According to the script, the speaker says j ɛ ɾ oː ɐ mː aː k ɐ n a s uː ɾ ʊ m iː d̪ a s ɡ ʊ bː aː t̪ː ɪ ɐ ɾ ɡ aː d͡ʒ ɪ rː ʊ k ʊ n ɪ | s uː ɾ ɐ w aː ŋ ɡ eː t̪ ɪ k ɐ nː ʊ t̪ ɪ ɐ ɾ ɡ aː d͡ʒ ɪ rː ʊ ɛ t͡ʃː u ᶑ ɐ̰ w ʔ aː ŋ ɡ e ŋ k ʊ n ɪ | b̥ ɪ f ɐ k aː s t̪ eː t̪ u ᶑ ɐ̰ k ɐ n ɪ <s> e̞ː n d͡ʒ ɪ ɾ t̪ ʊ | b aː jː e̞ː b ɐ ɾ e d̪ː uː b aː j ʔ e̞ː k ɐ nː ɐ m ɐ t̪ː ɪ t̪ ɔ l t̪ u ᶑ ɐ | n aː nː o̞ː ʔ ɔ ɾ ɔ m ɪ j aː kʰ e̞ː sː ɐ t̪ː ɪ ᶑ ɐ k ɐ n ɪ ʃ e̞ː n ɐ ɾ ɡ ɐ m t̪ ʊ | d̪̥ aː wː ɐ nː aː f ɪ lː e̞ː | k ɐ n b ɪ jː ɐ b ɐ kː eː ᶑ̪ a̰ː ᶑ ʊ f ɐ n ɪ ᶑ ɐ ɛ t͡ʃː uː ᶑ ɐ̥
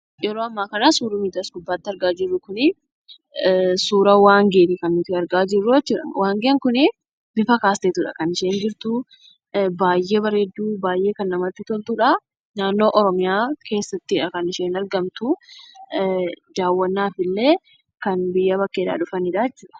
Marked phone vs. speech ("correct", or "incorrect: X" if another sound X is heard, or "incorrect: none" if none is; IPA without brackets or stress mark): incorrect: ʃ